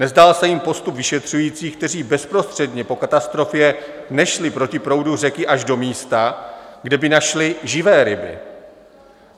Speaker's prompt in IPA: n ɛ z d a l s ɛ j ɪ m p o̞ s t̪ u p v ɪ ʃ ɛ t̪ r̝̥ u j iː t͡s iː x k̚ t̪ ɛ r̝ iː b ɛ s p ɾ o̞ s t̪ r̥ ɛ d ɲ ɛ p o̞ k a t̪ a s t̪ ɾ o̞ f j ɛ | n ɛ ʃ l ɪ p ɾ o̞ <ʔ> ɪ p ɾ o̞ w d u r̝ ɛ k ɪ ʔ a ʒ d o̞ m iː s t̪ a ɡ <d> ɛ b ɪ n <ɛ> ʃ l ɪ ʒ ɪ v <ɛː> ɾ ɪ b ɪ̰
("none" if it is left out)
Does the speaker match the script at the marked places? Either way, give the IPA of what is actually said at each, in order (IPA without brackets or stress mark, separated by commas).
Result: c, d, a, ɛː